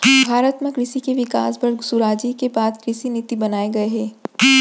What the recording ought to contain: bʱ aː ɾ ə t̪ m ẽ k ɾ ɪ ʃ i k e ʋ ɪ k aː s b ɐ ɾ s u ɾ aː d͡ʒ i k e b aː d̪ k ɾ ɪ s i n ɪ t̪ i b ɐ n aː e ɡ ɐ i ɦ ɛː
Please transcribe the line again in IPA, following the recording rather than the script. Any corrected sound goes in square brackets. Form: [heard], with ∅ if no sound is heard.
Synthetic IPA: bʱ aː ɾ ə t̪ m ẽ k ɾ ɪ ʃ i k e ʋ ɪ k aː s b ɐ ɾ s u ɾ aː d͡ʒ i k e b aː d̪ k ɾ ɪ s i n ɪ t̪ i b ɐ n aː e ɡ ɐ [e] ɦ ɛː